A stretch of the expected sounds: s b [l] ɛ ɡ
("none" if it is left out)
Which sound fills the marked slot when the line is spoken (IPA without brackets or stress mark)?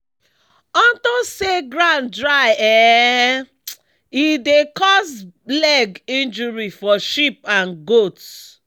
l